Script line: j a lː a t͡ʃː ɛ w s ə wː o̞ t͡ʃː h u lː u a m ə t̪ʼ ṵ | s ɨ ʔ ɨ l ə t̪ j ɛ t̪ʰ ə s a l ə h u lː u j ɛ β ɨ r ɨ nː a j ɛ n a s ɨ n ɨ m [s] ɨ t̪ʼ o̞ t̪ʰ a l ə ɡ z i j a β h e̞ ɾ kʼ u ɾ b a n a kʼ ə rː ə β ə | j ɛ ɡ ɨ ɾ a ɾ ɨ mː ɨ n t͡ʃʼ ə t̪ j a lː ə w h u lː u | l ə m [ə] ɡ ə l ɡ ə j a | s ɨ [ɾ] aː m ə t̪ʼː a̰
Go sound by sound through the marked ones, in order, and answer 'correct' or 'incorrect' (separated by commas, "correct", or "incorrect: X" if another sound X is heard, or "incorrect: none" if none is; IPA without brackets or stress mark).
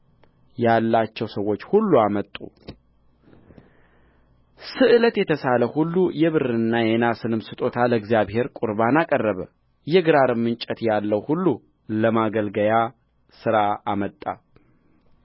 correct, incorrect: a, correct